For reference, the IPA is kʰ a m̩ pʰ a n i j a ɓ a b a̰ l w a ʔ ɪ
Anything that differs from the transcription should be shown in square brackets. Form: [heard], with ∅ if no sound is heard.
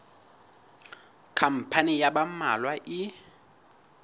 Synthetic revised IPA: kʰ a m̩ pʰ a n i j a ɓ a [m] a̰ l w a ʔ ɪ